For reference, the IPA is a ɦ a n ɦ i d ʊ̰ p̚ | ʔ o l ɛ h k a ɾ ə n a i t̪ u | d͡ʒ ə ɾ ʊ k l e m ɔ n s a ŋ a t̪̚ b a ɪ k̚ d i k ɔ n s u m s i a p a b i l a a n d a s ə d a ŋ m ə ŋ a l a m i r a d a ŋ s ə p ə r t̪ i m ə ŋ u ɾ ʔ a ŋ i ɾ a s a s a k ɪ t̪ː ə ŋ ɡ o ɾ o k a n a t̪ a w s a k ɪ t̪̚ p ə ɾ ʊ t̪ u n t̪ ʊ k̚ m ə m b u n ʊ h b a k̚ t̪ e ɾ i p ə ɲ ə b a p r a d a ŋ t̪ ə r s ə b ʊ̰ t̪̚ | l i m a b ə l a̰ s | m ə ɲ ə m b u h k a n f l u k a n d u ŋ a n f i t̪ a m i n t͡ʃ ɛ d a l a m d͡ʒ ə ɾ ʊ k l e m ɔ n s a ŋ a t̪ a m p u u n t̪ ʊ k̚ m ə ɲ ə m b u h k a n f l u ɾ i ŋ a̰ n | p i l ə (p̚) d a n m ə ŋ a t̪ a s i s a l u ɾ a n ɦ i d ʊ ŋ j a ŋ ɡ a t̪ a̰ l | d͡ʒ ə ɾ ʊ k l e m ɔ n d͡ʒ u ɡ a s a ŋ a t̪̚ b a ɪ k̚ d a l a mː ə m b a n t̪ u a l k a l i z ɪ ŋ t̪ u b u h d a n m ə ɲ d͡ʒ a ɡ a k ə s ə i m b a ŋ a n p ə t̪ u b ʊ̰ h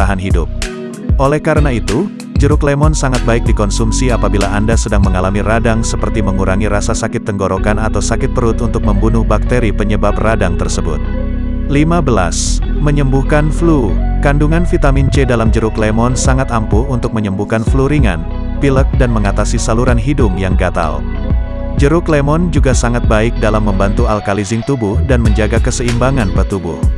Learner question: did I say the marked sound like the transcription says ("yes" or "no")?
no